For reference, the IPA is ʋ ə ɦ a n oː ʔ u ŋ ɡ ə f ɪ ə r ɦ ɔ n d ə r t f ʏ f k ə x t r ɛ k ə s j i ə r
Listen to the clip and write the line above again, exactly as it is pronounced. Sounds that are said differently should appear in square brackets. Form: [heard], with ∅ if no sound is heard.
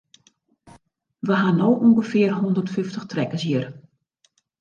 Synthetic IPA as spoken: ʋ ə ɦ a n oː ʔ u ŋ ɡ ə f ɪ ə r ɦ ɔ n d ə r t f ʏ f [t] ə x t r ɛ k ə s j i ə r

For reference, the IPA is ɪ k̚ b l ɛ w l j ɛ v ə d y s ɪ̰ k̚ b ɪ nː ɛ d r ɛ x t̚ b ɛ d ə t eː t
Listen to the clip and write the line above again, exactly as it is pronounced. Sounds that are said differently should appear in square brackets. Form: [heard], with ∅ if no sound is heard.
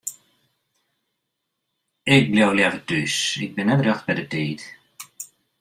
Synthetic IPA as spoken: ɪ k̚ b l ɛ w l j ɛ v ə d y s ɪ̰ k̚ b ɪ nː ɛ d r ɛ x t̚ b ɛ d ə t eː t

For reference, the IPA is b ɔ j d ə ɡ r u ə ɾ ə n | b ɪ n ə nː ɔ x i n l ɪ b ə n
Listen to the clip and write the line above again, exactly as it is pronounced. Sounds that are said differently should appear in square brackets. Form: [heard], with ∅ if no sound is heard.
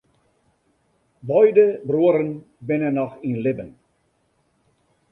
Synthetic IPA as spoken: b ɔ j d ə [b] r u ə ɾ ə n | b ɪ n ə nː ɔ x i n l ɪ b ə n

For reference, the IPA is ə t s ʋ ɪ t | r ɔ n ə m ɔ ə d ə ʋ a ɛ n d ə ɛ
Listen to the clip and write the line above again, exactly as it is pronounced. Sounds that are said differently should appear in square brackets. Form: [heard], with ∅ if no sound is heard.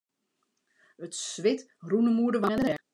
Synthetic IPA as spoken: ə t s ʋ ɪ t | r [u] n ə m [u] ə d ə ʋ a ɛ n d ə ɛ

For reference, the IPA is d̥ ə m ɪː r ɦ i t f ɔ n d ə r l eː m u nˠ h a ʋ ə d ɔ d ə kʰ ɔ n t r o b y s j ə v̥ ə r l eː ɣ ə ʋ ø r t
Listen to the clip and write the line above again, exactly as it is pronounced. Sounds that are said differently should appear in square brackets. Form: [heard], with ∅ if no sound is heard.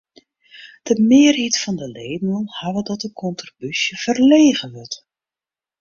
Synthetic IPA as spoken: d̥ ə m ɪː r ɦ i t f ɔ n d ə [∅] l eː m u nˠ h a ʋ ə d ɔ [t] ə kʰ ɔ n t r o b y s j ə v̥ ə r l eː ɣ ə ʋ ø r t

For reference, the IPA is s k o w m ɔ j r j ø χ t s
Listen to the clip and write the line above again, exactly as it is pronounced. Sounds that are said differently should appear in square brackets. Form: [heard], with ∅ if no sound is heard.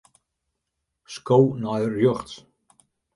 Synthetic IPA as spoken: s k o w [n] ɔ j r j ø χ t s

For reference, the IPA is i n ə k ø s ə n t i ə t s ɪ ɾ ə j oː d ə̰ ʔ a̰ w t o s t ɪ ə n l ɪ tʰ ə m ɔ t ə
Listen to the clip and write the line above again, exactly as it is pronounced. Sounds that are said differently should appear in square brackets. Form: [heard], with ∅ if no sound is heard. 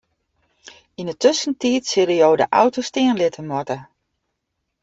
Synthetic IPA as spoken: i n ə [t] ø s ə n t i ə t s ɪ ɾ ə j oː d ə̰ ʔ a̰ w t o s t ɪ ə n l ɪ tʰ ə m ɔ t ə

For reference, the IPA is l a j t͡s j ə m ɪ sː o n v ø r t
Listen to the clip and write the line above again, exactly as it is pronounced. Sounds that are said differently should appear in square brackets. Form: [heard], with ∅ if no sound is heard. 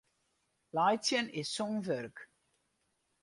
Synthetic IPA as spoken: l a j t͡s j ə [n] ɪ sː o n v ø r [k]

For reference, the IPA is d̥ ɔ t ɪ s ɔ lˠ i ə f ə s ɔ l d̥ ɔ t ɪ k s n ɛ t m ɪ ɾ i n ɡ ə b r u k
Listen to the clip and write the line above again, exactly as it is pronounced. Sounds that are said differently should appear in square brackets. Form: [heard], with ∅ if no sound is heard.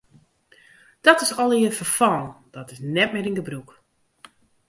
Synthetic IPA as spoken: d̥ ɔ t ɪ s ɔ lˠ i ə f ə [f] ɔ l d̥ ɔ t ɪ [∅] s n ɛ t m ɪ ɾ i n ɡ ə b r u k

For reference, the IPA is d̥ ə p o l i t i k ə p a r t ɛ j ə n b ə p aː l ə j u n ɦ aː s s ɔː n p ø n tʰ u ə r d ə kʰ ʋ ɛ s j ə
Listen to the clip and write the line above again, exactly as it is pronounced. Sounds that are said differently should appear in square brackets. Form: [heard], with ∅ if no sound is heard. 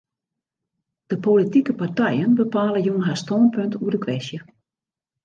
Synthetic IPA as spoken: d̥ ə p o l i t i k ə p a r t ɛ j ə n b ə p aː l ə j u n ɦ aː s [t] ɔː n p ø n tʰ u ə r d ə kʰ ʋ ɛ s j ə

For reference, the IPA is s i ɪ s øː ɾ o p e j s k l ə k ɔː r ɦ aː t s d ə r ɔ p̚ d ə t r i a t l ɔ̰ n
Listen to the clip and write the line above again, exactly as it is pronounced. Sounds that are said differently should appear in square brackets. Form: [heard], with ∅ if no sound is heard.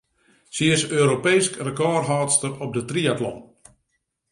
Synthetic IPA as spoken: s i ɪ s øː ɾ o p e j s k [r] ə k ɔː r ɦ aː t s [t] ə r ɔ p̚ d ə t r i a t l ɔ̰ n

